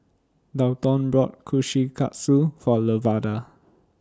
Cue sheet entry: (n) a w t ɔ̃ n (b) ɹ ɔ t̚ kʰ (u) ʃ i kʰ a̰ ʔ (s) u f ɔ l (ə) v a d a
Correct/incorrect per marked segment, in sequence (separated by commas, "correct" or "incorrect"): incorrect, correct, correct, correct, correct